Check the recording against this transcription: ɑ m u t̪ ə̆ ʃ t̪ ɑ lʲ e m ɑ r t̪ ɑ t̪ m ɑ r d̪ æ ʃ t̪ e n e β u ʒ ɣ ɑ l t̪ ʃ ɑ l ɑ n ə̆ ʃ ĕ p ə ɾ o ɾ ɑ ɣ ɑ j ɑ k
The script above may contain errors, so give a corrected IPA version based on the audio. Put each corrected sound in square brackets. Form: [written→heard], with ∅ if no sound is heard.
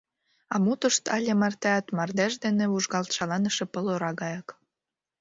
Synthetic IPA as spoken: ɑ m u t̪ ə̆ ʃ t̪ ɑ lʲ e m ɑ r t̪ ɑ t̪ m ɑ r d̪ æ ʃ [t̪→d̪] e n e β u ʒ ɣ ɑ l t̪ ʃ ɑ l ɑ n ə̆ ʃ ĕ p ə [ɾ→l] o ɾ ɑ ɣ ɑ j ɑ k